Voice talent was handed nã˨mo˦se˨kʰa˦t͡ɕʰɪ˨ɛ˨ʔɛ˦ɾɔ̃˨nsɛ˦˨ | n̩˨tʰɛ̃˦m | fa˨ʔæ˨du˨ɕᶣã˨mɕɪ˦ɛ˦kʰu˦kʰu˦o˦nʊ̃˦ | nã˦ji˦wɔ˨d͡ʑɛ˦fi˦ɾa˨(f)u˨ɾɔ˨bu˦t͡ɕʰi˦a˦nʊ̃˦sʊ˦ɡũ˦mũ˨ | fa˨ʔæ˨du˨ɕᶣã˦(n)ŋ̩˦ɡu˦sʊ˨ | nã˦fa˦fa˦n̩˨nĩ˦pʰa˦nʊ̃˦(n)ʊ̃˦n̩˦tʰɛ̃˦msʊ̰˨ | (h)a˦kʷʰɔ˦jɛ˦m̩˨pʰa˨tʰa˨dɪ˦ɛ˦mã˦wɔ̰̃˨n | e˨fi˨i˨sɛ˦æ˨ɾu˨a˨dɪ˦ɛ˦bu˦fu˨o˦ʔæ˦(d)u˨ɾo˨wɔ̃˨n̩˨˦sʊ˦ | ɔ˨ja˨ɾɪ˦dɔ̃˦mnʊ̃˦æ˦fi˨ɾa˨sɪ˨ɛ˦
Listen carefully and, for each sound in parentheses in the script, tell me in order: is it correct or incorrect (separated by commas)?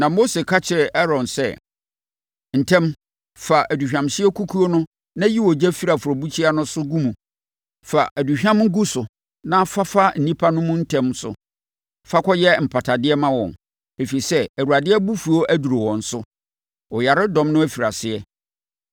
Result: correct, incorrect, incorrect, incorrect, correct